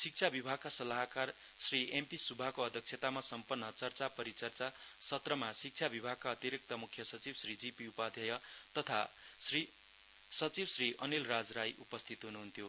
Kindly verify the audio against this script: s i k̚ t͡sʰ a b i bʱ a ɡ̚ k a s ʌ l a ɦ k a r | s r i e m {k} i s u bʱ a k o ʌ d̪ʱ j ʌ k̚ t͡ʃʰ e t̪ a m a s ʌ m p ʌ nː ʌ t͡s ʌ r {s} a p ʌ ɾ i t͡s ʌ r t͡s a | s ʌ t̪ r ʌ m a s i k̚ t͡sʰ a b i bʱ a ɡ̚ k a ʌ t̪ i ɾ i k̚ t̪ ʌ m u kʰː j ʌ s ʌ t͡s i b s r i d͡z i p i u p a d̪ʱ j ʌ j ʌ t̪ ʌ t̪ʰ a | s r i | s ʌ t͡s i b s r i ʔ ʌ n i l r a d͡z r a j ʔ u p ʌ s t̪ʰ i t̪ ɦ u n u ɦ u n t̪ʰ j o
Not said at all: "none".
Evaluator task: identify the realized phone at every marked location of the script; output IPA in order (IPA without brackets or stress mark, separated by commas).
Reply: p, t͡s